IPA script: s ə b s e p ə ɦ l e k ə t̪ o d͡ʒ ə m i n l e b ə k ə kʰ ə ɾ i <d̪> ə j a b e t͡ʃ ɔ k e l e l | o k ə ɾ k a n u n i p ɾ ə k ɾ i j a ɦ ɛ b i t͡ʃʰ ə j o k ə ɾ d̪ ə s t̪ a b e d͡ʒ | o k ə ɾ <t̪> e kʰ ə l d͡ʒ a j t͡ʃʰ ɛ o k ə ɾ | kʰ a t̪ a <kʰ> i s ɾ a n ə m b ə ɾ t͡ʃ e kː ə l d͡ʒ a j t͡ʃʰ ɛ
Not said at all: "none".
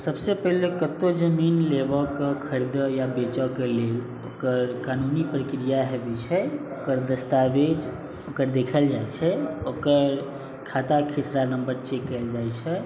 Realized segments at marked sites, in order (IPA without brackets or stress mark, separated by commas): d̪, d̪, kʰ